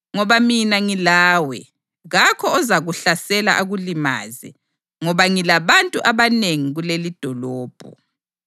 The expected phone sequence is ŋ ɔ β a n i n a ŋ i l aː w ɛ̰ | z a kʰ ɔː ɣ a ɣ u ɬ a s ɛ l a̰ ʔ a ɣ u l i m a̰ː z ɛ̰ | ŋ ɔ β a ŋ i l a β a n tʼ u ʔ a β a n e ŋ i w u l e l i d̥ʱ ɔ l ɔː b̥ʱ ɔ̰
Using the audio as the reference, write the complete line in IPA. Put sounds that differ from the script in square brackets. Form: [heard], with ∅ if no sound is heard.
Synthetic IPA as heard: ŋ ɔ β a [m] i n a ŋ i l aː w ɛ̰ | [ɣ] a kʰ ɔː [z] a ɣ u ɬ a s ɛ l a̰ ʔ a ɣ u l i m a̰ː z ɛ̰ | ŋ ɔ β a ŋ i l a β a n tʼ u ʔ a β a n e ŋ i [ɣ] u l e l i d̥ʱ ɔ l ɔː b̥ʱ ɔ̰